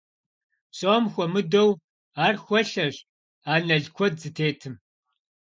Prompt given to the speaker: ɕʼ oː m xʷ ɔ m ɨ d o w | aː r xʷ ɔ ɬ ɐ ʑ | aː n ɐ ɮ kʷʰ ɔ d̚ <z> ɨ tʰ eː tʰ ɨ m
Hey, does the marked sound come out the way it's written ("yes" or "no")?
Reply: yes